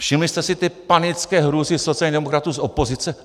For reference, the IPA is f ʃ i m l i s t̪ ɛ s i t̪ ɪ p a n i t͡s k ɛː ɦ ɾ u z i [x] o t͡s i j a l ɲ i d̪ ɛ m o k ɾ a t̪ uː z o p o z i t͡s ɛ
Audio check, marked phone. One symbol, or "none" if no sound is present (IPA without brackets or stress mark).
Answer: s